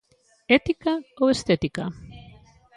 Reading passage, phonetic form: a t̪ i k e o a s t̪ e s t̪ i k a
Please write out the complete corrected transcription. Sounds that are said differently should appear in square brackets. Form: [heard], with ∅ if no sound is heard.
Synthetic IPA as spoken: [e] t̪ i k [a] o [e] s t̪ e [∅] t̪ i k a